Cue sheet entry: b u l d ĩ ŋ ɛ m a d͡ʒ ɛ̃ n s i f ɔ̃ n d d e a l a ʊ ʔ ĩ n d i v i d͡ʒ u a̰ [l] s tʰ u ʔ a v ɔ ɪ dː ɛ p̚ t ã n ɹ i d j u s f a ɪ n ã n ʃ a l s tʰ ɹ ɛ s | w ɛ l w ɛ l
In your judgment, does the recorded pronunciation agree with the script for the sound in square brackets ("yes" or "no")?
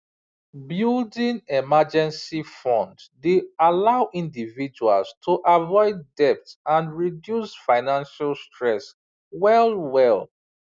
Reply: yes